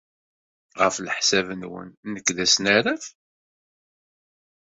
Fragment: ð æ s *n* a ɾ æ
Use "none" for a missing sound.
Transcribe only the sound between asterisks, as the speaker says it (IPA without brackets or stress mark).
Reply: n